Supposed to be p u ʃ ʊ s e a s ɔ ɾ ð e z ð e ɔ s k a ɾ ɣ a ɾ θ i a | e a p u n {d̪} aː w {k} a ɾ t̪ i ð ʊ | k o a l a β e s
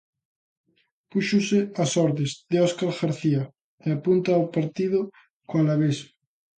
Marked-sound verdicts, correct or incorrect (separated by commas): incorrect, incorrect